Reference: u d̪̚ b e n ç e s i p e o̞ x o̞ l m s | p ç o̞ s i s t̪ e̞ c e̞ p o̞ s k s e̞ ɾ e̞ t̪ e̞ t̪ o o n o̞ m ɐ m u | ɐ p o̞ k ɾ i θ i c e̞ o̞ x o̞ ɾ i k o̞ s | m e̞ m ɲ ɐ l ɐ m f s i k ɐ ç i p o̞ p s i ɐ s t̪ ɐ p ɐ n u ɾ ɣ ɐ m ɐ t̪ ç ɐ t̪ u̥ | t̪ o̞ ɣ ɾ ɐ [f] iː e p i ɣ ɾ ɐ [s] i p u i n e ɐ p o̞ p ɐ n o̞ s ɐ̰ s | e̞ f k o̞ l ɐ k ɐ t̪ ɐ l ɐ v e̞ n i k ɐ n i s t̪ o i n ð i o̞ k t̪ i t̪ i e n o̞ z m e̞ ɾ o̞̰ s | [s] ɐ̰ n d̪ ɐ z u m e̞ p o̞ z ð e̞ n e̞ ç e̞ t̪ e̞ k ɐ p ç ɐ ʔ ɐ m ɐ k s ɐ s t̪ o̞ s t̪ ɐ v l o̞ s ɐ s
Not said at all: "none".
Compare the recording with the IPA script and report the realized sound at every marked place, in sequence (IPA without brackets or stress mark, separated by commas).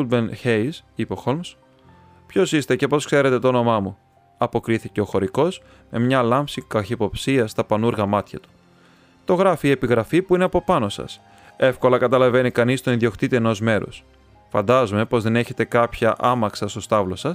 f, f, f